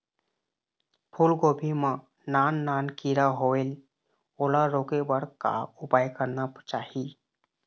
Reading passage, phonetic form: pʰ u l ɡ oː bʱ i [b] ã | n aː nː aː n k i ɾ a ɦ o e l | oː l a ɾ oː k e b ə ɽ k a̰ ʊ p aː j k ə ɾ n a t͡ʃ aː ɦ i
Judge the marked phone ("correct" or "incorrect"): incorrect